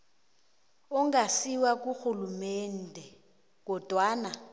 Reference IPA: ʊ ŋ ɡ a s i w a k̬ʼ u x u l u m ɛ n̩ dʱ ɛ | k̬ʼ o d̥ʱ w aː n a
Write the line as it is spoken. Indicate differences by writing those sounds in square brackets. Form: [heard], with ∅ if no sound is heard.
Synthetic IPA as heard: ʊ ŋ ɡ a s i w a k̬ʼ u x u l u m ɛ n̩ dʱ ɛ | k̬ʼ [ɔ] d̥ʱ w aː n a